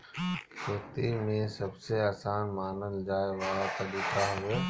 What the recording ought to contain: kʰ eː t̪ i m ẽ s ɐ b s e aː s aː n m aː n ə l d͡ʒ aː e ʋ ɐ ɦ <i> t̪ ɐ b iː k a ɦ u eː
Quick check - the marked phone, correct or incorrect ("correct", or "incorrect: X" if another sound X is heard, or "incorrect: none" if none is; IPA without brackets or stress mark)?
incorrect: a